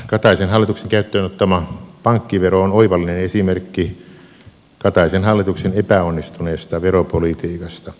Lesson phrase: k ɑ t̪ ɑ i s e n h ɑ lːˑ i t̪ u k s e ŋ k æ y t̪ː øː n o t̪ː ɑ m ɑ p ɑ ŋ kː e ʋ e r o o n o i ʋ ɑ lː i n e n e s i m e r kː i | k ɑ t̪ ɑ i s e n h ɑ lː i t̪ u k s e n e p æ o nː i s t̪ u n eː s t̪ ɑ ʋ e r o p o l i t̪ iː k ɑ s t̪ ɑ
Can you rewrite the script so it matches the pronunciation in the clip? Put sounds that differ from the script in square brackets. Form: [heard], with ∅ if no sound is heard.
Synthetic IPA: k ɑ t̪ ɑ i s e n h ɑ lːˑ i t̪ u k s e ŋ k æ y t̪ː øː n o t̪ː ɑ m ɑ p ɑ ŋ kː [i] ʋ e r o o n o i ʋ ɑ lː i n e n e s i m e r kː i | k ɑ t̪ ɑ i s e n h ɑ lː i t̪ u k s e n e p æ o nː i s t̪ u n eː s t̪ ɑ ʋ e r o p o l i t̪ iː k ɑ s t̪ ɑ